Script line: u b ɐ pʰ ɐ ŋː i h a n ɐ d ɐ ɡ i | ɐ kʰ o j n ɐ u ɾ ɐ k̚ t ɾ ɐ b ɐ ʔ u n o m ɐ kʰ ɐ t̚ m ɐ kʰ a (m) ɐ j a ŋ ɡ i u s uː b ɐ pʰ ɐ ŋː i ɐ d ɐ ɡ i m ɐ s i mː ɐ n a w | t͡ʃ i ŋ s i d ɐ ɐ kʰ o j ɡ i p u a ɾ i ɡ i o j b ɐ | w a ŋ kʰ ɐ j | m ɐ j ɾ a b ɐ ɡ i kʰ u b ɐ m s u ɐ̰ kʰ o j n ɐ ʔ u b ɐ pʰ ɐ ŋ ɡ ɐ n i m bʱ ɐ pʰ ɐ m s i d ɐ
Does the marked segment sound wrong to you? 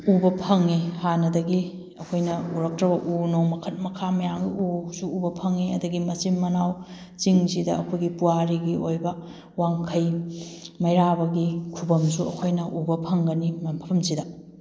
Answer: no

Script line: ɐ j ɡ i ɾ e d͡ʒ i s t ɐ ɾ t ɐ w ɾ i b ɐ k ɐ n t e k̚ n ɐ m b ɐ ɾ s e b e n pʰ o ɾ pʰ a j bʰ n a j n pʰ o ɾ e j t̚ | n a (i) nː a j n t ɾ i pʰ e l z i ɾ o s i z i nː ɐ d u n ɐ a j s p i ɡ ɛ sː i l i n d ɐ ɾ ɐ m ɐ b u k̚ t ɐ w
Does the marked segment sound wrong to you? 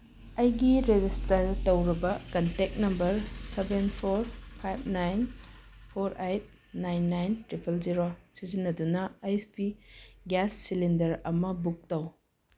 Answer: yes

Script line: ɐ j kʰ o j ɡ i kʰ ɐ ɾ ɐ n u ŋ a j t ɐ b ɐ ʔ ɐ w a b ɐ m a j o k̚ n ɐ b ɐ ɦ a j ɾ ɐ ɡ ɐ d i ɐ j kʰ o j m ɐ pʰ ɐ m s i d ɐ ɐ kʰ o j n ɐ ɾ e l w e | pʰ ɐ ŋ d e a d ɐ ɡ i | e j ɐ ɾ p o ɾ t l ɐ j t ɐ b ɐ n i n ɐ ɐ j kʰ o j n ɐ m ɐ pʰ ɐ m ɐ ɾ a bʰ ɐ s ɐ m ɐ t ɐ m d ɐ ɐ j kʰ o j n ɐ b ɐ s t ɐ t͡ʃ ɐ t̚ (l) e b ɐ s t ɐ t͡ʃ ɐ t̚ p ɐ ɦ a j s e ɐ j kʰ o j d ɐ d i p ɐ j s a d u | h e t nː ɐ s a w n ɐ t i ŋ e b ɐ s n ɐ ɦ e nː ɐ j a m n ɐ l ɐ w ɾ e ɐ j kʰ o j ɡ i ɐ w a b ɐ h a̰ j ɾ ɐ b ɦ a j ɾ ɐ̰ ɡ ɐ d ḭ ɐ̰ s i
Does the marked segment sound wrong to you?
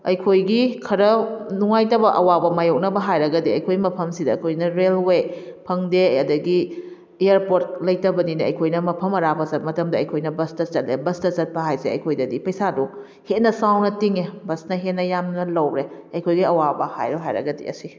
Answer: no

